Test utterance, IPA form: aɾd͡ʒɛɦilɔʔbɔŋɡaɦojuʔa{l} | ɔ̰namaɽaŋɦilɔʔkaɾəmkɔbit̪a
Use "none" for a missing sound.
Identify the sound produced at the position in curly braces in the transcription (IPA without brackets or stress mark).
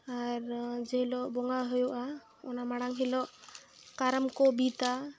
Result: none